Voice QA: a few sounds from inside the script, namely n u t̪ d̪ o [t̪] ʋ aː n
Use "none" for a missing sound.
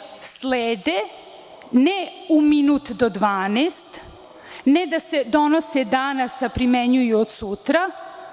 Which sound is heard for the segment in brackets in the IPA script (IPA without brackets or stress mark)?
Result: d̪